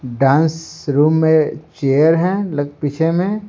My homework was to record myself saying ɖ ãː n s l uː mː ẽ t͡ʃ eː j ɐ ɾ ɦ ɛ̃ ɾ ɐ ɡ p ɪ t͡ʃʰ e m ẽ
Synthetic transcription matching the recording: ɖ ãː n s ɾ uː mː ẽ t͡ʃ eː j ə ɾ ɦ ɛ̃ l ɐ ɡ p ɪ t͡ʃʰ e m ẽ